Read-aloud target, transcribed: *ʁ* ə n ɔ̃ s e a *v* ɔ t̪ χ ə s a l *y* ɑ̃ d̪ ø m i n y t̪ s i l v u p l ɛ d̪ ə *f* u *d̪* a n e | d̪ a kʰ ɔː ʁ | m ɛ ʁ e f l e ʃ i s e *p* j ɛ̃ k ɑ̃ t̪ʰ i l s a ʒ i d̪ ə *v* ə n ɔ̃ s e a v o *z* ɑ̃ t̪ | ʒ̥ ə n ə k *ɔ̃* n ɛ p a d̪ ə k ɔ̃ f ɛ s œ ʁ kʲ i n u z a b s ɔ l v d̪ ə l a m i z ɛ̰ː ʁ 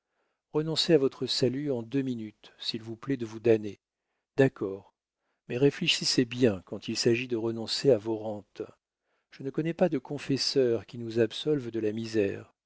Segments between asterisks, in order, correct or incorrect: correct, correct, correct, incorrect: v, correct, incorrect: b, incorrect: ʁ, incorrect: ʁ, incorrect: ɔ

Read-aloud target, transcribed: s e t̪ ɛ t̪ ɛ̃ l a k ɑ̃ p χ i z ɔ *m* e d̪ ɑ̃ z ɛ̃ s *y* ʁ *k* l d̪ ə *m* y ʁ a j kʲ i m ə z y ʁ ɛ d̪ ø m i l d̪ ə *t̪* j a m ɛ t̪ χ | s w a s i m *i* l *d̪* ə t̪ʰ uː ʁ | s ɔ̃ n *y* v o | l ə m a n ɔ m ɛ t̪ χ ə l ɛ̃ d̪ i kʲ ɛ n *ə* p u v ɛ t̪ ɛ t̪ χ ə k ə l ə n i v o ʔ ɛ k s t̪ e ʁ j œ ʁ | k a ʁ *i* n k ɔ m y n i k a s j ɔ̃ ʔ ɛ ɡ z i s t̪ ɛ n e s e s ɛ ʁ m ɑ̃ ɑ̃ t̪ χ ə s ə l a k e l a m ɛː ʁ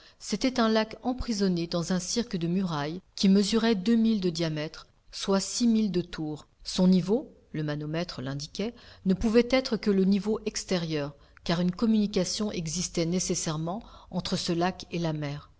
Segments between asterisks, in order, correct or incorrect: incorrect: n, incorrect: i, correct, correct, incorrect: d̪, correct, correct, incorrect: i, correct, incorrect: y

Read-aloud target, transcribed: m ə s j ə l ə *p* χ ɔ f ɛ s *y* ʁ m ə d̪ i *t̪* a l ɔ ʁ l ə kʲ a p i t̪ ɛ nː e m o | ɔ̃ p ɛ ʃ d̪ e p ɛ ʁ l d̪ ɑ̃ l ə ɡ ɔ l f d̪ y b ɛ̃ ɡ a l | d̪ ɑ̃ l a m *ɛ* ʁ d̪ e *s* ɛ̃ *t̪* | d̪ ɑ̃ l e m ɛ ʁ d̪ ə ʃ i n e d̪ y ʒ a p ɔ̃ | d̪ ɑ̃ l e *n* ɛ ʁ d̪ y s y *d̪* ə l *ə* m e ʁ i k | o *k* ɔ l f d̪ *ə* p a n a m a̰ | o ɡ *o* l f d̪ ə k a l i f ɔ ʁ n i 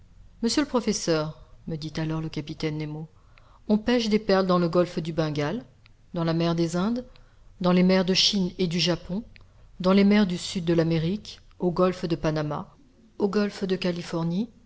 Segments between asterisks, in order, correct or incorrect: correct, incorrect: œ, correct, correct, incorrect: z, incorrect: d̪, incorrect: m, incorrect: d̪ː, incorrect: a, incorrect: ɡ, correct, incorrect: ɔ

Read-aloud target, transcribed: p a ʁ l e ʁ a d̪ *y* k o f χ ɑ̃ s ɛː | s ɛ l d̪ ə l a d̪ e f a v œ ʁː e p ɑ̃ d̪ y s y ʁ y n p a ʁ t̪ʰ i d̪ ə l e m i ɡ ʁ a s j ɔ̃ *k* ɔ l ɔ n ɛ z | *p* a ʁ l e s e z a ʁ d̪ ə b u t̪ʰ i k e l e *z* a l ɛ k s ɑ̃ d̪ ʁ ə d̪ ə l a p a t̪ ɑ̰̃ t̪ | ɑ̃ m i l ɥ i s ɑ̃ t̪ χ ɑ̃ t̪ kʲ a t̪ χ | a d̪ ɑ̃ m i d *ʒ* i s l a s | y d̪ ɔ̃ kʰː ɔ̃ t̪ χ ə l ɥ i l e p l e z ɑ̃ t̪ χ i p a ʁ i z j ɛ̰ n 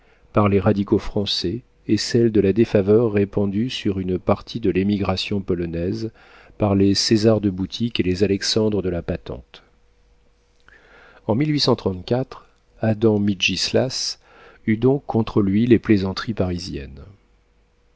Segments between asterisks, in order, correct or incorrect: incorrect: i, incorrect: p, correct, correct, correct

